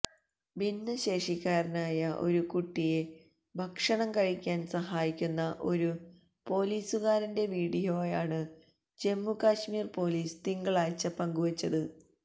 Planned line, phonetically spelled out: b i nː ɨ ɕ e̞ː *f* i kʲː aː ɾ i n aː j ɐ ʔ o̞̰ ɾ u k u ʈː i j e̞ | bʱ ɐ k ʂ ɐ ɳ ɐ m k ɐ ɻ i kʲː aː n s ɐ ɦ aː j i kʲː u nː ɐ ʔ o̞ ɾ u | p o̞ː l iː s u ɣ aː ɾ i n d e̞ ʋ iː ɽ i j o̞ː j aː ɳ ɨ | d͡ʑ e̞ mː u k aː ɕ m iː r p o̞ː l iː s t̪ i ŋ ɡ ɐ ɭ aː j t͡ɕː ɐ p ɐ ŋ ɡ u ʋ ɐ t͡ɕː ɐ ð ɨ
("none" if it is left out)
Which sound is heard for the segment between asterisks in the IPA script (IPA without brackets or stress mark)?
ʂ